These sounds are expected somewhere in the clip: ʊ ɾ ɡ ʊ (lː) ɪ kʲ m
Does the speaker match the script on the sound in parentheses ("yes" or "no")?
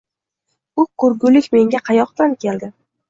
no